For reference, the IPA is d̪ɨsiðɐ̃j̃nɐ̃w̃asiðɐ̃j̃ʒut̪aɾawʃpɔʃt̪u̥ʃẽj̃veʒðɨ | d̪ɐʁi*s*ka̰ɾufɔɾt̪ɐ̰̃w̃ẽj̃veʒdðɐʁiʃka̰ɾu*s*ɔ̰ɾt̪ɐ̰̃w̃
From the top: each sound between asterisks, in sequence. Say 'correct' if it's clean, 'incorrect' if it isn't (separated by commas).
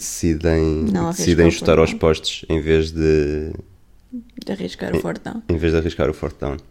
incorrect, incorrect